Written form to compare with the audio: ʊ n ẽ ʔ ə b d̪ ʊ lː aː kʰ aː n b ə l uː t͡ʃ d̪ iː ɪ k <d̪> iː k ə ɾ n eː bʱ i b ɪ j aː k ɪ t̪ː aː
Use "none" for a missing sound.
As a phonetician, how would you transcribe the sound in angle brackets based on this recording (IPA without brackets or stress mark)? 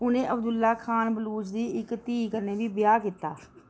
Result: t̪